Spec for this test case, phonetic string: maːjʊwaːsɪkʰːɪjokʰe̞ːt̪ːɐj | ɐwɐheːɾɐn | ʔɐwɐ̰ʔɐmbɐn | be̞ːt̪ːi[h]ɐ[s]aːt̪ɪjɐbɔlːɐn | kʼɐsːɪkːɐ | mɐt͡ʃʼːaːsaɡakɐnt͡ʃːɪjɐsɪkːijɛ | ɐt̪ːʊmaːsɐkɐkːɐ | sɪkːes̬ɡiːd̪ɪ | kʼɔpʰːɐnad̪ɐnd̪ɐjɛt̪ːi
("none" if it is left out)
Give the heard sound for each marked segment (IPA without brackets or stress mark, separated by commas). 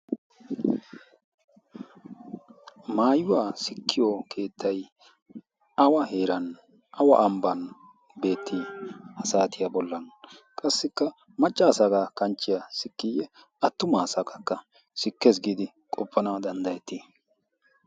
h, s